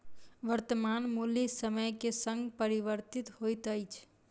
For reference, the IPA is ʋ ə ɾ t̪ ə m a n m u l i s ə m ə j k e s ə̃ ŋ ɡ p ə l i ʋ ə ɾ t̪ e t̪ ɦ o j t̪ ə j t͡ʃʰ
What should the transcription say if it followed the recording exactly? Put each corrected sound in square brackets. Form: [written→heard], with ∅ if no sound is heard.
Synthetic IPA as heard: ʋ ə ɾ t̪ ə m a n m u l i s ə m ə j k e s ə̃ ŋ ɡ p ə [l→ɾ] i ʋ ə ɾ t̪ [e→i] t̪ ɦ o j t̪ ə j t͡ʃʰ